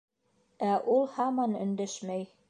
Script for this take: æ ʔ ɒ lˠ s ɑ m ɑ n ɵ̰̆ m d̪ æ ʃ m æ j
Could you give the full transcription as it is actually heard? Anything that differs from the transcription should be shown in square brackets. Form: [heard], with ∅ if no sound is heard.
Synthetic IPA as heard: æ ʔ [u] lˠ [h] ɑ m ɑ n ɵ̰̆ [n] d̪ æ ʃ m æ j